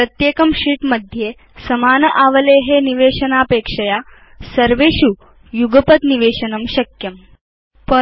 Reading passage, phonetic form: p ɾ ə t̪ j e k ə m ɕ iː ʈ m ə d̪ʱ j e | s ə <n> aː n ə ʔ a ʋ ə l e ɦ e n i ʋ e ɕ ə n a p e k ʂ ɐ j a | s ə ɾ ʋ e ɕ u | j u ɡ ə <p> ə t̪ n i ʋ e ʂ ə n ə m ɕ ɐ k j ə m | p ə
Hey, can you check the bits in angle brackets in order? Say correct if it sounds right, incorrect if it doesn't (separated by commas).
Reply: incorrect, correct